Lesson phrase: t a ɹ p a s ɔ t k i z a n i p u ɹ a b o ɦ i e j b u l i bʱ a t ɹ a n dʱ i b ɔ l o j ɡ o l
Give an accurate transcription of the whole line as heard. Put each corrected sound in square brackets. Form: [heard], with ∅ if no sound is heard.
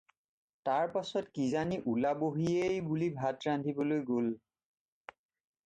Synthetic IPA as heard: t a ɹ p a s ɔ t k i z a n i [ʔ] u [l] a b o ɦ i e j b u l i bʱ a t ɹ a n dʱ i b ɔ l o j ɡ o l

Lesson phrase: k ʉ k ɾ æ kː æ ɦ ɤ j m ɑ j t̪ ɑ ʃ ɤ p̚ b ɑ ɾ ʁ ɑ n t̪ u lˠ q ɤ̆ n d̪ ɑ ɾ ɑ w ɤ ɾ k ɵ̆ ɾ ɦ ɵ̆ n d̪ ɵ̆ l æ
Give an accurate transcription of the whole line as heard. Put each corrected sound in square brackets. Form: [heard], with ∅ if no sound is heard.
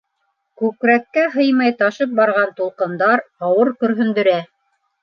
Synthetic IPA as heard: k ʉ k ɾ æ kː æ ɦ ɤ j m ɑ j t̪ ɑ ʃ ɤ p̚ b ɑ ɾ ʁ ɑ n t̪ u lˠ q ɤ̆ n d̪ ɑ ɾ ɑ w ɤ ɾ k ɵ̆ ɾ ɦ ɵ̆ n d̪ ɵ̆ [ɾ] æ

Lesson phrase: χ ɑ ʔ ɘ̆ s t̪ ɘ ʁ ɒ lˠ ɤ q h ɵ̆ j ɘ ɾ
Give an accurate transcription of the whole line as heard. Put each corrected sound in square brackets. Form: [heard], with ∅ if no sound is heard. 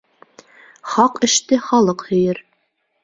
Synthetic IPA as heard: χ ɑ [q] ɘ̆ [ʃ] t̪ ɘ [χ] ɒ lˠ ɤ q h ɵ̆ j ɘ ɾ

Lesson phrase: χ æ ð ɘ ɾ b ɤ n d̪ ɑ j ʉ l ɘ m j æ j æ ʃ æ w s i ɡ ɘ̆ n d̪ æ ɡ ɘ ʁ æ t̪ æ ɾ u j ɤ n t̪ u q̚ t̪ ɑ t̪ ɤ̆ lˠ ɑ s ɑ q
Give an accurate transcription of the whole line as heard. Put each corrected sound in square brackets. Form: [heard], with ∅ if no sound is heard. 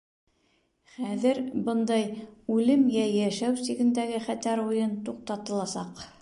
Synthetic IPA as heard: χ æ ð ɘ ɾ b ɤ n d̪ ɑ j ʉ l ɘ m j æ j æ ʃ æ w s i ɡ ɘ̆ n d̪ æ ɡ ɘ [χ] æ t̪ æ ɾ u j ɤ n t̪ u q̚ t̪ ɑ t̪ ɤ̆ lˠ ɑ s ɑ q

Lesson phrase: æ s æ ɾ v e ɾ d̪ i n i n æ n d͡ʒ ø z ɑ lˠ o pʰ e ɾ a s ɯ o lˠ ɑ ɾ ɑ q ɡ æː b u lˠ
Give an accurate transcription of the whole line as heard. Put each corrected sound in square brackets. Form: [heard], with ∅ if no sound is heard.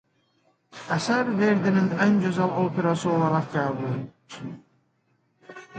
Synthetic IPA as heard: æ s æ ɾ v e ɾ d̪ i n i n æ n d͡ʒ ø z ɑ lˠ o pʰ e ɾ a s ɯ o lˠ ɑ ɾ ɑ q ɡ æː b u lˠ

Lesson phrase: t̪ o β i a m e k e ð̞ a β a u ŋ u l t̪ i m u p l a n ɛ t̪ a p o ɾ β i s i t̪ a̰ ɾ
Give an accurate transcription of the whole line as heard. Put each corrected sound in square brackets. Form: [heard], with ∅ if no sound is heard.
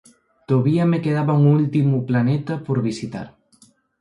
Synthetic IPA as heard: t̪ o β i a m e k e ð̞ a β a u ŋ u l t̪ i m u p l a n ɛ t̪ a p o ɾ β i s i t̪ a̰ ɾ

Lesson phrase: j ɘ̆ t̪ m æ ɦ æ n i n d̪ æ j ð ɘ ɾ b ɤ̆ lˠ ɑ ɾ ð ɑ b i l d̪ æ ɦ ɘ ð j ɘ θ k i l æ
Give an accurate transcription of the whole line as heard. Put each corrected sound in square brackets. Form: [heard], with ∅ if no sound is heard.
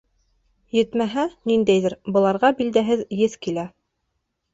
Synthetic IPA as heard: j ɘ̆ t̪ m æ ɦ æ n i n d̪ æ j ð ɘ ɾ b ɤ̆ lˠ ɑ ɾ [ʁ] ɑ b i l d̪ æ ɦ ɘ ð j ɘ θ k i l æ

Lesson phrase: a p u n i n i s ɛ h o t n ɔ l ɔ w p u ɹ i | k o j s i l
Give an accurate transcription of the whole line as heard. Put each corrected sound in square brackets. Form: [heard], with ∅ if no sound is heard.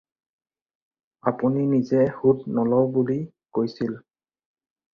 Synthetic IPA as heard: a p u n i n i [z] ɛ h [u] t n ɔ l ɔ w [b] u [l] i | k o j s i l

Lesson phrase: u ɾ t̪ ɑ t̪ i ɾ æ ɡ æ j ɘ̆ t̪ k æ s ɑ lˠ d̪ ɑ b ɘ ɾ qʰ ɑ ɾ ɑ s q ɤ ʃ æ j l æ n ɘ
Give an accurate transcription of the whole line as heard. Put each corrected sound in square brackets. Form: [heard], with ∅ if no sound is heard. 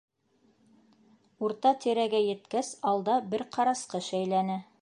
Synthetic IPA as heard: u ɾ t̪ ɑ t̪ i ɾ æ ɡ æ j ɘ̆ t̪ k æ s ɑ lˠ d̪ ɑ b ɘ ɾ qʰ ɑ ɾ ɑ s q ɤ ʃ æ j l æ n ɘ

